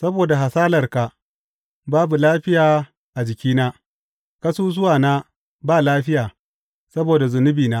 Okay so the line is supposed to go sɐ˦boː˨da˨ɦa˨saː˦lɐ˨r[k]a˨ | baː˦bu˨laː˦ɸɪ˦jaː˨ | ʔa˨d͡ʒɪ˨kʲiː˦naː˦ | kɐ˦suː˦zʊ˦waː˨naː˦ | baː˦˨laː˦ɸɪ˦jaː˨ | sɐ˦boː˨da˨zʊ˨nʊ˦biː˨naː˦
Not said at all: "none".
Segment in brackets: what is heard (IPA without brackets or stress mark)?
k